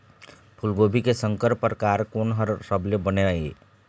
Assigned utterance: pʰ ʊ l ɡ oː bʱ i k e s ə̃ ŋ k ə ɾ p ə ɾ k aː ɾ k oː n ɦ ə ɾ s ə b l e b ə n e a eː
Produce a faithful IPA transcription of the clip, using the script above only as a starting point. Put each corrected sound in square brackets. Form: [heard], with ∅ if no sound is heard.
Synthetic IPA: pʰ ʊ l ɡ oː bʱ i k e s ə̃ ŋ k ə ɾ p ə ɾ k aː ɾ k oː n ɦ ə ɾ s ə b l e b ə n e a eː